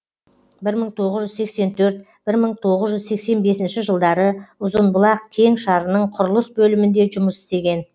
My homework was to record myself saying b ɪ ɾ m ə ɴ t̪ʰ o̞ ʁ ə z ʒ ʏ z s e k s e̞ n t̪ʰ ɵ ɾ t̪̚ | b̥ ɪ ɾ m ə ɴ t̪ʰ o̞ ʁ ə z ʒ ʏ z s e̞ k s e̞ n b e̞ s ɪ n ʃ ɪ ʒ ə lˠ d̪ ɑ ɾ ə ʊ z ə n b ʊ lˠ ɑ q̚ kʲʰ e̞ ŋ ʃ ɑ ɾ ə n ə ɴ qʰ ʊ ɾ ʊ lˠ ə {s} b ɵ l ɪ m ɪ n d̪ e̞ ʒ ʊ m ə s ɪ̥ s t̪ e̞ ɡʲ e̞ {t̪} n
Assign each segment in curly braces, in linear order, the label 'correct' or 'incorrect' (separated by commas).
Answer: correct, incorrect